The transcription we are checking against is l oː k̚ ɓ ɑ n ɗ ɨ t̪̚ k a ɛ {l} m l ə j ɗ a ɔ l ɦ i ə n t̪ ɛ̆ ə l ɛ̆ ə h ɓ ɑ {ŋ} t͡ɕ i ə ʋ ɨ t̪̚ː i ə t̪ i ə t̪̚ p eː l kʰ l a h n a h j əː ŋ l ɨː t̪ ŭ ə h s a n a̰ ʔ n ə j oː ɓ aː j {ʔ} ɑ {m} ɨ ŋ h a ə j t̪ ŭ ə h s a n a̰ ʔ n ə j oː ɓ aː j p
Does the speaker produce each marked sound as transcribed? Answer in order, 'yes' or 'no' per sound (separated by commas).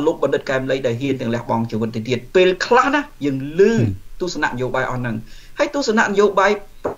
no, yes, yes, no